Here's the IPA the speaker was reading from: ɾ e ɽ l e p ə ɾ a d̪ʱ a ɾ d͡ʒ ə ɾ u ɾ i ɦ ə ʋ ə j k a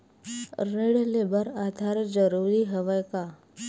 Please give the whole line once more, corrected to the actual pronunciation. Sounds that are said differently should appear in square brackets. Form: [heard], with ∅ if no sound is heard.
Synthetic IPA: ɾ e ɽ l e [b] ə ɾ a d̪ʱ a ɾ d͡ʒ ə ɾ u ɾ i ɦ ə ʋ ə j k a